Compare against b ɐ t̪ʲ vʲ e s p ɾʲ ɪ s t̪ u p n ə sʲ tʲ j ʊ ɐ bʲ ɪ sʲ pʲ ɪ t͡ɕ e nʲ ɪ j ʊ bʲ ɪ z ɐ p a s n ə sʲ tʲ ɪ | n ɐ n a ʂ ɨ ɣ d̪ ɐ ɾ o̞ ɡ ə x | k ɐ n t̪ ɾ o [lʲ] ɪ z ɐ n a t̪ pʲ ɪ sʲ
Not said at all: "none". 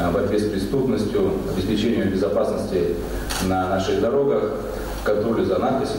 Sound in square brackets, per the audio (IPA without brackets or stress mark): lʲ